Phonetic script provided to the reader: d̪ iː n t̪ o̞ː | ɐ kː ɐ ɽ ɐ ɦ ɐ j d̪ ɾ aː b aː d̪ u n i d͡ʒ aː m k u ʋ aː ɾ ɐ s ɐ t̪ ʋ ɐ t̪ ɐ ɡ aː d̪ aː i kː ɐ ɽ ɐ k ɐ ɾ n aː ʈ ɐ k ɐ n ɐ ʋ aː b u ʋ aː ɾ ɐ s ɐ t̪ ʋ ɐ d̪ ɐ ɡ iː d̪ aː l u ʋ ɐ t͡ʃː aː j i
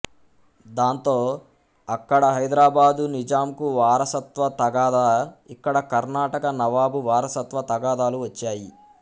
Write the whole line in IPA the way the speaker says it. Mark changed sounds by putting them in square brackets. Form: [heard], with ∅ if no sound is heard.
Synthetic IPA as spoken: d̪ [aː] n t̪ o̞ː | ɐ kː ɐ ɽ ɐ ɦ ɐ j d̪ ɾ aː b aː d̪ u n i d͡ʒ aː m k u ʋ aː ɾ ɐ s ɐ t̪ ʋ ɐ t̪ ɐ ɡ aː d̪ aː i kː ɐ ɽ ɐ k ɐ ɾ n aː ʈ ɐ k ɐ n ɐ ʋ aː b u ʋ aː ɾ ɐ s ɐ t̪ ʋ ɐ [t̪] ɐ ɡ [aː] d̪ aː l u ʋ ɐ t͡ʃː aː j i